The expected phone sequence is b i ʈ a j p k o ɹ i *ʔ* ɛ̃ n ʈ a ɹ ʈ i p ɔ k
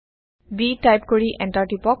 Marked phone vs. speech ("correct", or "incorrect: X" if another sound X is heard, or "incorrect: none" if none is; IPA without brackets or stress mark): correct